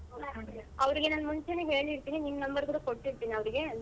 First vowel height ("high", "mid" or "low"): low